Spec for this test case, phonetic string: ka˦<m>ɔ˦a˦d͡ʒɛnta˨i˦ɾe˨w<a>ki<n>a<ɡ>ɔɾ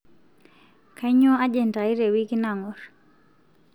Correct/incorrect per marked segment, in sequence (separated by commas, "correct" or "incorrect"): incorrect, incorrect, correct, incorrect